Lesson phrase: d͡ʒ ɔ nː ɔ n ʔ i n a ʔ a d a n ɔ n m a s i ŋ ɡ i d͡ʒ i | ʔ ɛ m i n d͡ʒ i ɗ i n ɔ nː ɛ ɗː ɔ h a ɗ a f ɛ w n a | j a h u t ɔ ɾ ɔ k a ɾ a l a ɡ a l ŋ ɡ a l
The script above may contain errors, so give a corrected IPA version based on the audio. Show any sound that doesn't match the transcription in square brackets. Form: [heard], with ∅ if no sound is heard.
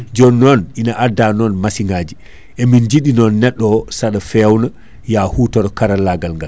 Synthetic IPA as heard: d͡ʒ ɔ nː ɔ n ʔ i n a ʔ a d a n ɔ n m a s i ŋ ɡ [a] d͡ʒ i | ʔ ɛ m i n d͡ʒ i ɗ i n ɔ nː ɛ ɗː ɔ [s] a ɗ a f ɛ w n a | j a h u t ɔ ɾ ɔ k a ɾ a l a ɡ a l ŋ ɡ a l